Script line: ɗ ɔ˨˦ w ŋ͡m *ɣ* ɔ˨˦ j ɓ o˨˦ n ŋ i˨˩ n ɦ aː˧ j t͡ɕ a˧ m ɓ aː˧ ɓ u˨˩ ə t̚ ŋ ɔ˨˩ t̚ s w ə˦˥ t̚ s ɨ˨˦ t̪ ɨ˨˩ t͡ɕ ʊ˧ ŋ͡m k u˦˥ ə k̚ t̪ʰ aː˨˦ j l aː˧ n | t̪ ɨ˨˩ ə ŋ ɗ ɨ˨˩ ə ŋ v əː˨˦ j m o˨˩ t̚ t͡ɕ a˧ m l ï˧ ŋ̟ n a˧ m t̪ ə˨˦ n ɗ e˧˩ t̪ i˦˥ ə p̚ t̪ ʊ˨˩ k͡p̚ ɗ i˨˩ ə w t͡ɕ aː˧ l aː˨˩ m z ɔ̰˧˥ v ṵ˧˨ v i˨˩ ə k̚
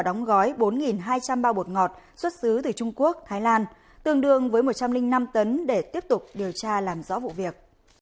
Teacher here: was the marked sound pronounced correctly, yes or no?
yes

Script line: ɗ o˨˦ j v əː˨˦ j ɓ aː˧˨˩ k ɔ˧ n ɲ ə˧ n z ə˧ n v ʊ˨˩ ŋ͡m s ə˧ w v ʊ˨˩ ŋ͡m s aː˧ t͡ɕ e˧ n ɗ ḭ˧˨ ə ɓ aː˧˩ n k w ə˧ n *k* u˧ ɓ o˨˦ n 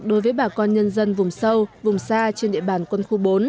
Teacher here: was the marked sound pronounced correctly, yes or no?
no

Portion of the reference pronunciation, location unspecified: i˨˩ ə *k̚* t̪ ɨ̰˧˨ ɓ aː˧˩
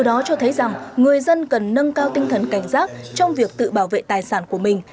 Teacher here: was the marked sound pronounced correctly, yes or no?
yes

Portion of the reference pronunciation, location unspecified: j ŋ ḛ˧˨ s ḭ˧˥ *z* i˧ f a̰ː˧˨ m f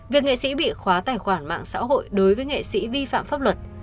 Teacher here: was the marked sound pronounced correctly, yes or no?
no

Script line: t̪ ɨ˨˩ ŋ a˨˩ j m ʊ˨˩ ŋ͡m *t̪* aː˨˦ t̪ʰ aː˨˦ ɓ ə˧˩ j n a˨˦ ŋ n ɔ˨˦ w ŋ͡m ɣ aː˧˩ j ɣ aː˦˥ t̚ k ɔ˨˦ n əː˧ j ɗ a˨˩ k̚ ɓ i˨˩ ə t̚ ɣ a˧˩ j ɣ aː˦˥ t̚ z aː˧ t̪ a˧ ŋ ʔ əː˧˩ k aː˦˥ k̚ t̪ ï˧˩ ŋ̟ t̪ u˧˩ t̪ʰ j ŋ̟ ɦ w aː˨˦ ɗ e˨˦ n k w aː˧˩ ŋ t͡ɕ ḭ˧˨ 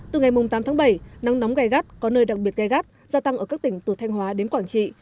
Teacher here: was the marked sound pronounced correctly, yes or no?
yes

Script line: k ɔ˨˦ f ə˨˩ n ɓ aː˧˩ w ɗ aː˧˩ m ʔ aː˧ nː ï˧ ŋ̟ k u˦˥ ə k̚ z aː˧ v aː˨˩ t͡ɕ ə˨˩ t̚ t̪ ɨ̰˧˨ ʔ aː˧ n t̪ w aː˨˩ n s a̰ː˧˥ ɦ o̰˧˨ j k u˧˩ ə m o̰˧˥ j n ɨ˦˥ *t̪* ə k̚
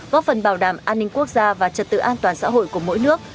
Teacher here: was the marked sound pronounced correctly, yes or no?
no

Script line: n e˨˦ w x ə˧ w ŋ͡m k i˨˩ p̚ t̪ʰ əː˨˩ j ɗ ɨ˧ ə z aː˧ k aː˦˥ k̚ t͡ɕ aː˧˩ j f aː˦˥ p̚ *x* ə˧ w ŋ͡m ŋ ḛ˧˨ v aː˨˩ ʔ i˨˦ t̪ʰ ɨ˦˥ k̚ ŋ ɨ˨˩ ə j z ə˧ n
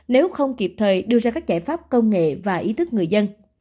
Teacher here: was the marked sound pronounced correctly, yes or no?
no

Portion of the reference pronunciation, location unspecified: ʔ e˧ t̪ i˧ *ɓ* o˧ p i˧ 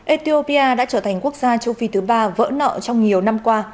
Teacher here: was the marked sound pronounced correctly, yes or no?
no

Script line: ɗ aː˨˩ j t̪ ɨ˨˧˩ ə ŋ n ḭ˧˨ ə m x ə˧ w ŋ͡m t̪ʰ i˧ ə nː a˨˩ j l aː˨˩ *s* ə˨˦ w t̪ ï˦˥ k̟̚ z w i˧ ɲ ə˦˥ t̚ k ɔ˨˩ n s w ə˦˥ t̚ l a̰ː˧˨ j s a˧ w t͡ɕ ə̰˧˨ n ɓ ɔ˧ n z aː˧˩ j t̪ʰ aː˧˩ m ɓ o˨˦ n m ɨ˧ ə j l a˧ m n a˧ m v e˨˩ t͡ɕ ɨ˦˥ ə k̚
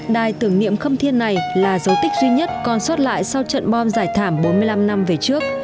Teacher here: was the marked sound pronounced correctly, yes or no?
no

